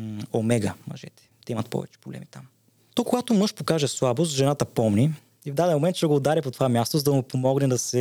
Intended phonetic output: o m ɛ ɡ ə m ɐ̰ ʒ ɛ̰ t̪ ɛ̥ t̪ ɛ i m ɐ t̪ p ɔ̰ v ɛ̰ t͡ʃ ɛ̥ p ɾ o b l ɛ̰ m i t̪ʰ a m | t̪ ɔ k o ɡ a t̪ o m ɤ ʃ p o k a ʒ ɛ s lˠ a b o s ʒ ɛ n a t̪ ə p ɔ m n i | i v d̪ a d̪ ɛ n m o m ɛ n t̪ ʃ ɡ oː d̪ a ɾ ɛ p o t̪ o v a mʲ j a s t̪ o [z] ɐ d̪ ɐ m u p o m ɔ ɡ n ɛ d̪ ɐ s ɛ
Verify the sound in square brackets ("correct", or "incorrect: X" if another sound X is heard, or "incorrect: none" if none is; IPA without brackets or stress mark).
correct